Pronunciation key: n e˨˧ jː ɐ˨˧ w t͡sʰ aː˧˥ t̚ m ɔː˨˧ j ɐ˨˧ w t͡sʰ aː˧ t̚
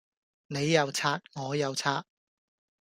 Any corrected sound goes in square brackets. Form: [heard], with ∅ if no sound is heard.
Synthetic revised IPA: n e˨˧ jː ɐ˨˧ w t͡sʰ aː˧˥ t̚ [ŋ] ɔː˨˧ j ɐ˨˧ w t͡sʰ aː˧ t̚